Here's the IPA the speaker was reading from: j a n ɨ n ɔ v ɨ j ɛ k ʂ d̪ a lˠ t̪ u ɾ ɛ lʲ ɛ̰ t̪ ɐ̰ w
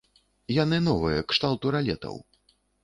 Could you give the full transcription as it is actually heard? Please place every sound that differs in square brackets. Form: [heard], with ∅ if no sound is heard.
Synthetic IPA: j a n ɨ n ɔ v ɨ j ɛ k ʂ [t̪] a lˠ t̪ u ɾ [a] lʲ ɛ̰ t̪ ɐ̰ w